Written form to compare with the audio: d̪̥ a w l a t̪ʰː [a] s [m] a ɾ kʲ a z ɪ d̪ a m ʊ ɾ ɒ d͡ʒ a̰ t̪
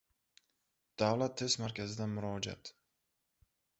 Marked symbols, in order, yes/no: no, yes

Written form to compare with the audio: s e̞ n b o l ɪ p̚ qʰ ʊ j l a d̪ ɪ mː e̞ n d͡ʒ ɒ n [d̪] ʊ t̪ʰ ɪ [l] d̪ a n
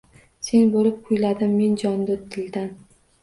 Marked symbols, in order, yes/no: yes, yes

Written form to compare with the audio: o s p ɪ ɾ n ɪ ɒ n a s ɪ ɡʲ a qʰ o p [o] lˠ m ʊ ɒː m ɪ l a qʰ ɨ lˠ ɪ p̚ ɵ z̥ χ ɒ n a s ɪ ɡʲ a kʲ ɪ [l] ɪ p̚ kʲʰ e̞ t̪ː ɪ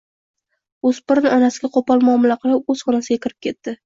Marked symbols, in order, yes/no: no, no

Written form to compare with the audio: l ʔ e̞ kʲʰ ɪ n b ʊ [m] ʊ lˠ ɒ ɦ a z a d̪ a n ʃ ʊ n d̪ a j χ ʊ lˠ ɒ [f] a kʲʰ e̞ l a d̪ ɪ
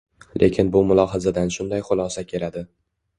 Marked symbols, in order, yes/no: yes, no

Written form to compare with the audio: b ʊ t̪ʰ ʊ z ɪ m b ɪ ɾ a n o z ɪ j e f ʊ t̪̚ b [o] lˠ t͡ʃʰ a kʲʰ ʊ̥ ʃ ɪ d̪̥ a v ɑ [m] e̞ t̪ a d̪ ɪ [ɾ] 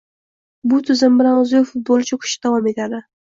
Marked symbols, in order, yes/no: yes, yes, no

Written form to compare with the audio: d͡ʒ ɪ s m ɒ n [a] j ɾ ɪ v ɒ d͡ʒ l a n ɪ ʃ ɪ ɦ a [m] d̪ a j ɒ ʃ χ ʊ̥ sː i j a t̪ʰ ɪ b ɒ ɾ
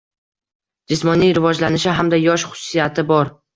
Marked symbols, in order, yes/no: no, yes

